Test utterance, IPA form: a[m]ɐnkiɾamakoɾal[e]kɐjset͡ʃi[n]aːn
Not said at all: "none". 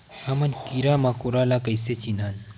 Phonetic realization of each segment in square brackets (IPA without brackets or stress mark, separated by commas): m, a, n